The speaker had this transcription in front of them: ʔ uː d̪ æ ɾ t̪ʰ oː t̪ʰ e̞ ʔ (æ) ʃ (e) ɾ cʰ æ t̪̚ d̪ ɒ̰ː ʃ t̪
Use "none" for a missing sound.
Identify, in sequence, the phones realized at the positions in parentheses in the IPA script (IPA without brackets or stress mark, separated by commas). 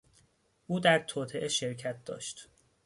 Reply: e, e